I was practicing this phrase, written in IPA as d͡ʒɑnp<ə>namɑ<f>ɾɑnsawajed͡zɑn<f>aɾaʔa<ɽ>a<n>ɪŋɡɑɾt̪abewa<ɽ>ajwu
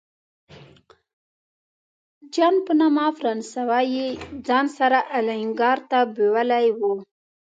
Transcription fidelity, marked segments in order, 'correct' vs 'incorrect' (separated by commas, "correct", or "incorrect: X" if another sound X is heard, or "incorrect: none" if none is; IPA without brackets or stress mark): correct, correct, incorrect: s, incorrect: l, incorrect: none, incorrect: l